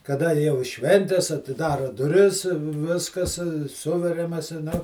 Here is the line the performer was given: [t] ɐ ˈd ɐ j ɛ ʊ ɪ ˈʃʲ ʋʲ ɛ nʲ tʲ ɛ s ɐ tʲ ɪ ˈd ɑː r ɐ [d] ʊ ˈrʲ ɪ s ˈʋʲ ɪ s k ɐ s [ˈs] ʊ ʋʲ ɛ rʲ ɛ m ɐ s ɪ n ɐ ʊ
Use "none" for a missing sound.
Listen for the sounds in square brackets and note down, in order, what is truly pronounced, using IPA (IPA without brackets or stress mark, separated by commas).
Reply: k, d, s